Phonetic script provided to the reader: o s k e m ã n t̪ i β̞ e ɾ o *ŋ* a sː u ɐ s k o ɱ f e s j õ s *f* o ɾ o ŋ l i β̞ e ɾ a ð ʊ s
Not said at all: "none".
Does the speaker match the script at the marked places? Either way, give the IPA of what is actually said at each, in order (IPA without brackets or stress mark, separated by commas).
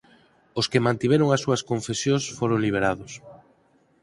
ŋ, f